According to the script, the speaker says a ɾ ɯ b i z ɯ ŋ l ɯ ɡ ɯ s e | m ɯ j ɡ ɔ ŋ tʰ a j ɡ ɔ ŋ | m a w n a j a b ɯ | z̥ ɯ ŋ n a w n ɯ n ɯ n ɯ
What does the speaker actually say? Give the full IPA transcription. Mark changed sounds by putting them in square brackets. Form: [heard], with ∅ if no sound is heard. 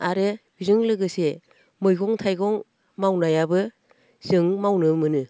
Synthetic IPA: a ɾ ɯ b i z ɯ ŋ l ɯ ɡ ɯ s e | m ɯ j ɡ ɔ ŋ tʰ a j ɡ ɔ ŋ | m a w n a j a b ɯ | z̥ ɯ ŋ [m] a w n ɯ [m] ɯ n ɯ